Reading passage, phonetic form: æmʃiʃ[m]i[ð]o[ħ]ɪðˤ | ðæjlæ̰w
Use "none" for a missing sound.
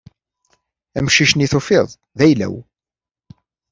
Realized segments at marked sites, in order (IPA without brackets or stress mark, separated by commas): n, θ, f